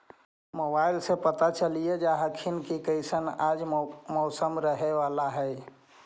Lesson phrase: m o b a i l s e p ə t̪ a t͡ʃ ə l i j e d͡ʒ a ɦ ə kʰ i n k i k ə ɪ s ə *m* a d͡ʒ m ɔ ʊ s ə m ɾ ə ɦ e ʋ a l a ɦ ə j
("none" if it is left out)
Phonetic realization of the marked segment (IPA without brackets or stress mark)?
n